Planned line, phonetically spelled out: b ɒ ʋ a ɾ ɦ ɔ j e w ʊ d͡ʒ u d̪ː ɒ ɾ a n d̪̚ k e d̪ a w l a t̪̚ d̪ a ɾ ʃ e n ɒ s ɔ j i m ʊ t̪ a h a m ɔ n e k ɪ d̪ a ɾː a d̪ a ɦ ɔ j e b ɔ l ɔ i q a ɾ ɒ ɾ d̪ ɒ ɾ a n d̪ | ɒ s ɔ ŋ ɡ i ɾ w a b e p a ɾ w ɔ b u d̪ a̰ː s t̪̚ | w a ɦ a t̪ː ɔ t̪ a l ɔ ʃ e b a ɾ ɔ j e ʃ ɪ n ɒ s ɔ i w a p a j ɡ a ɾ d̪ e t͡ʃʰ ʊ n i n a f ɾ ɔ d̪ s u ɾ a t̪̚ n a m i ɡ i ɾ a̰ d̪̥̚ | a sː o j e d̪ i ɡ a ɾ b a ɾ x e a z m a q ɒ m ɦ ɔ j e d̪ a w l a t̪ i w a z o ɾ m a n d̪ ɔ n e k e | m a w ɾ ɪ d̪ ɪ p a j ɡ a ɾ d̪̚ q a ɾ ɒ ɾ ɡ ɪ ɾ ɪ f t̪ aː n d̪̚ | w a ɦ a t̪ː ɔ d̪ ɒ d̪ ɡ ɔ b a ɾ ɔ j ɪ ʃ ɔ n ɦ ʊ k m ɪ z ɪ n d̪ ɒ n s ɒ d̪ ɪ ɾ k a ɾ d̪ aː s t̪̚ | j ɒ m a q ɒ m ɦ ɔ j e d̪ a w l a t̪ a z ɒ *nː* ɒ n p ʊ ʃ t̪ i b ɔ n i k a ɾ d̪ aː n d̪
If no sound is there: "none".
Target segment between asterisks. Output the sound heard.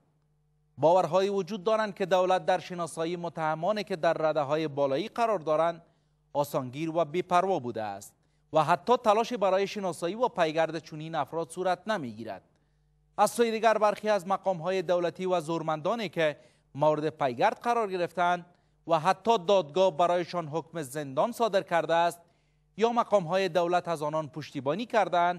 n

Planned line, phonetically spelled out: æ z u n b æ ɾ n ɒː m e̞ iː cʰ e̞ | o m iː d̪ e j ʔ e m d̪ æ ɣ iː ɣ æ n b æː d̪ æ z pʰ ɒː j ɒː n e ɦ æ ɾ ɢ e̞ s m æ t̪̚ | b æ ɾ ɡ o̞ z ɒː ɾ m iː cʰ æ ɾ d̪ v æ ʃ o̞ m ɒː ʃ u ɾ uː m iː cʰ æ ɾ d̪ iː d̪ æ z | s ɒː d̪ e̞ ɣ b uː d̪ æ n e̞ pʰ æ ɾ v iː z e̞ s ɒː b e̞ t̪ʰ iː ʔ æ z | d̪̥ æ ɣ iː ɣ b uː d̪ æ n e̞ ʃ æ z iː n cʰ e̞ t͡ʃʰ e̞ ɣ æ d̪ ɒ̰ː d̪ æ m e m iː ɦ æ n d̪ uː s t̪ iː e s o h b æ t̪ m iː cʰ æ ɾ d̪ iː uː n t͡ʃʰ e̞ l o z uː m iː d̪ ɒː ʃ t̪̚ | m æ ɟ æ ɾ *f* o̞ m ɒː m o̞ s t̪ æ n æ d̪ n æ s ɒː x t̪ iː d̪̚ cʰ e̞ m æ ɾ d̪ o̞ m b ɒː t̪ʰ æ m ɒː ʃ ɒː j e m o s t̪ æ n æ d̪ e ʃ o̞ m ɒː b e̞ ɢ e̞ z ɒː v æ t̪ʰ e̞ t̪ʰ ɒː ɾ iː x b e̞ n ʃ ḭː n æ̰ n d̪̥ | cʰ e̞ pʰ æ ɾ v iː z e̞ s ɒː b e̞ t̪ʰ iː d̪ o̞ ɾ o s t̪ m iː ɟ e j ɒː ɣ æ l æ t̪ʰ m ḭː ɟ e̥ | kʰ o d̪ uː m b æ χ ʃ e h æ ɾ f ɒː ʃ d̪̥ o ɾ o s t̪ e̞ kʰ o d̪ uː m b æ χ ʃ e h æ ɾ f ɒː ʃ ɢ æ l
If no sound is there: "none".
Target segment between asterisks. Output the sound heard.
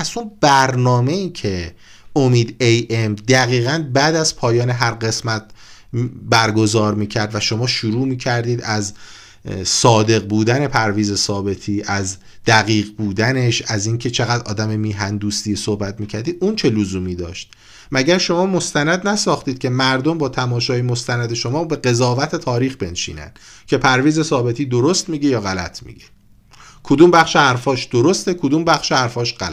ʃ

